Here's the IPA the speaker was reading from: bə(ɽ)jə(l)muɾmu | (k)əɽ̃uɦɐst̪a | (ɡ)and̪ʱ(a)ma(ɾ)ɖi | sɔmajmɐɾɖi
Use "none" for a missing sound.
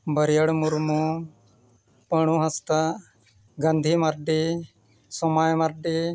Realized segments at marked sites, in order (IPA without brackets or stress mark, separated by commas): ɾ, ɽ, p, ɡ, i, ɾ